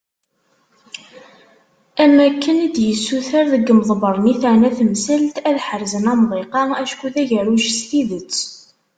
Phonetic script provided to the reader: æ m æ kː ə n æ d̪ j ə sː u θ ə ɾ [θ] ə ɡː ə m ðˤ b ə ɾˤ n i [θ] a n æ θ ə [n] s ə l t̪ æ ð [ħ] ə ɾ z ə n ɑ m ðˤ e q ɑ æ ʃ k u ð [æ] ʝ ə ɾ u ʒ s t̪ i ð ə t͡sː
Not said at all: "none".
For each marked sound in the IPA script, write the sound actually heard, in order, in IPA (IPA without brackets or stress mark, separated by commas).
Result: ð, θ, m, ħ, æ